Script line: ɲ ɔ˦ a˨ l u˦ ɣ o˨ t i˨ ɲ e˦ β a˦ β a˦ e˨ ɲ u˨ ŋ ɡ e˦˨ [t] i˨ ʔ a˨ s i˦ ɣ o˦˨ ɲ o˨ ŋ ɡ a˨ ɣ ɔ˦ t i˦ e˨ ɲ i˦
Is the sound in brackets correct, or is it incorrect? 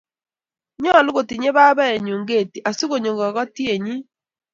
correct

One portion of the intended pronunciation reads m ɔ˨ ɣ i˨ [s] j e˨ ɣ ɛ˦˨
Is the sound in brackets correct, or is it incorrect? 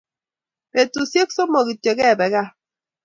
incorrect: t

